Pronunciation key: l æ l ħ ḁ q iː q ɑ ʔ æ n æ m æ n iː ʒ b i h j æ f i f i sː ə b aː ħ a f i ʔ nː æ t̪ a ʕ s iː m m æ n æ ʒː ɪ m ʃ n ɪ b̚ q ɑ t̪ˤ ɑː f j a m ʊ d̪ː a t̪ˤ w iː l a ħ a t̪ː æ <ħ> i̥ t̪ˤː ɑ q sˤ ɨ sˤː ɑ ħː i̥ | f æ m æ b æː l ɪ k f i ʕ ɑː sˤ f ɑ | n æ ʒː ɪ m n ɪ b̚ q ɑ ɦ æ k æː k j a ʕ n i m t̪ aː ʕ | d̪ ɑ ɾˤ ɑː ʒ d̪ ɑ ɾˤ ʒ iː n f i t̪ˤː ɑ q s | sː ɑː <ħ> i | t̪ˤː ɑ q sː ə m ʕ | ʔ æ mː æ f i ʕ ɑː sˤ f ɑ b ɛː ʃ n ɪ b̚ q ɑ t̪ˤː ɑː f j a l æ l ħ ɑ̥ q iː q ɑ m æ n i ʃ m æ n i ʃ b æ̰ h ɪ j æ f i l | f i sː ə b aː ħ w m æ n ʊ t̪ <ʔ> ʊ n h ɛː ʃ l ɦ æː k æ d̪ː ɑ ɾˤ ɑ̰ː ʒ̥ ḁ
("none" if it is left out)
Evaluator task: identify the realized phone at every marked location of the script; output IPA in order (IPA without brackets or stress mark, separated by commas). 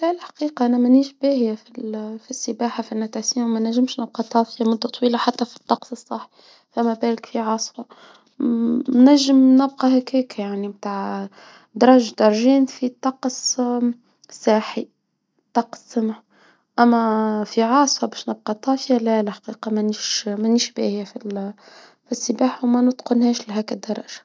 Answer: f, ħ, q